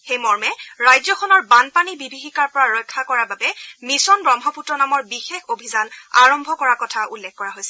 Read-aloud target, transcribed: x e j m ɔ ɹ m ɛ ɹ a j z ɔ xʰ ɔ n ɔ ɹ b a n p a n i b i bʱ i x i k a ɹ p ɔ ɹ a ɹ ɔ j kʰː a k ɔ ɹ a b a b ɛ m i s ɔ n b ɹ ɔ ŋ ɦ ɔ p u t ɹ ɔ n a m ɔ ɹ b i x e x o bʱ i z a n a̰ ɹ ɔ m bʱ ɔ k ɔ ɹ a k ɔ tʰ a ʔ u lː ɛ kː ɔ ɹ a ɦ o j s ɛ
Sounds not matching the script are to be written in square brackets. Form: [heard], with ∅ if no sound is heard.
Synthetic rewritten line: x e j m ɔ ɹ m ɛ ɹ a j z ɔ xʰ ɔ n ɔ ɹ b a n p a n i b i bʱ i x i k a ɹ p ɔ ɹ a ɹ ɔ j kʰː a k ɔ ɹ a b a b ɛ m i s ɔ n b ɹ ɔ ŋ ɦ ɔ p u t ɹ ɔ n a m ɔ ɹ b i x e x o bʱ i z a n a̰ ɹ ɔ m bʱ ɔ k ɔ ɹ a k ɔ tʰ a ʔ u lː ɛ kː ɔ ɹ a ɦ o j s ɛ

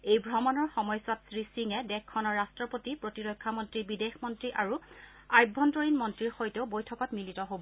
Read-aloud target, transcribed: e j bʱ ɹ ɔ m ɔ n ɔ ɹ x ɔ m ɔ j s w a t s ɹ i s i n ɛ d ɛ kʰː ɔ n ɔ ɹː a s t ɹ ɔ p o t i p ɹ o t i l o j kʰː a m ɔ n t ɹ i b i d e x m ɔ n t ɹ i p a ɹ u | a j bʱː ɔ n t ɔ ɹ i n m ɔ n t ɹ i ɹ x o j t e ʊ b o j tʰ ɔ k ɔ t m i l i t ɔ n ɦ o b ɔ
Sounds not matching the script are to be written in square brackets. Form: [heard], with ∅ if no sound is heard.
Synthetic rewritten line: e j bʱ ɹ ɔ m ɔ n ɔ ɹ x ɔ m ɔ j s w a t s ɹ i s i [ŋ] ɛ d ɛ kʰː ɔ n ɔ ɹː a s t ɹ ɔ p o t i p ɹ o t i [ɹ] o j kʰː a m ɔ n t ɹ i b i d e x m ɔ n t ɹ i [ʔ] a ɹ u | a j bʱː ɔ n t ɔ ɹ i n m ɔ n t ɹ i ɹ x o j t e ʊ b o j tʰ ɔ k ɔ t m i l i t ɔ [∅] ɦ o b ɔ

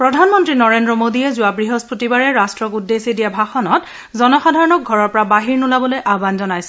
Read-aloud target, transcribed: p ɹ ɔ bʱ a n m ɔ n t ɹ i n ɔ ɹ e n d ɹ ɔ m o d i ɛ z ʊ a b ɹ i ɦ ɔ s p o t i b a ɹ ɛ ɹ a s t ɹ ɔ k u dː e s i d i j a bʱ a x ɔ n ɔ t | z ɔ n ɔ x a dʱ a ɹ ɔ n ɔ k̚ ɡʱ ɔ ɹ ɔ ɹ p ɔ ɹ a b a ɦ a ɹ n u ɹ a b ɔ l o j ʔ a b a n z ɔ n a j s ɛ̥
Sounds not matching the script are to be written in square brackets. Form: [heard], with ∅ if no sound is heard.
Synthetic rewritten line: p ɹ ɔ [dʱ] a n m ɔ n t ɹ i n ɔ ɹ e n d ɹ ɔ m o d i ɛ z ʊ a b ɹ i ɦ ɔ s p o t i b a ɹ ɛ ɹ a s t ɹ ɔ k u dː e s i d i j a bʱ a x ɔ n ɔ t | z ɔ n ɔ x a dʱ a ɹ ɔ n ɔ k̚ ɡʱ ɔ ɹ ɔ ɹ p ɔ ɹ a b a ɦ [i] ɹ n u [l] a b ɔ l o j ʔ a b a n z ɔ n a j s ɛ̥

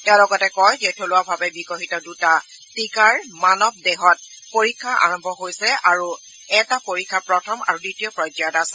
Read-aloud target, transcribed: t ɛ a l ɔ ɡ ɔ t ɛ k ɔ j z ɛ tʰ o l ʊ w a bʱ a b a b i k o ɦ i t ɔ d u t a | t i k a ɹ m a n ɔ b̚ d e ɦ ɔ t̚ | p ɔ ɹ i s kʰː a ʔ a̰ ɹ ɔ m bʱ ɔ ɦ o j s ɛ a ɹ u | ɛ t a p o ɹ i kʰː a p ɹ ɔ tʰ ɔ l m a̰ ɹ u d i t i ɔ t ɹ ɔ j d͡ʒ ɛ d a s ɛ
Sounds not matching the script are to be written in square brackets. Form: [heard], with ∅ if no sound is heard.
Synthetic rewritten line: t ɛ a l ɔ ɡ ɔ t ɛ k ɔ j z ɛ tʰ o l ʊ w a bʱ a b [ɛ] b i k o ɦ i t ɔ d u t a | t i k a ɹ m a n ɔ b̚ d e ɦ ɔ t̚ | p [o] ɹ i [∅] kʰː a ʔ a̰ ɹ ɔ m bʱ ɔ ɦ o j s ɛ a ɹ u | ɛ t a p o ɹ i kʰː a p ɹ ɔ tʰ ɔ [∅] m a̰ ɹ u d i t i ɔ [p] ɹ ɔ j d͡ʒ [a] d a s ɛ

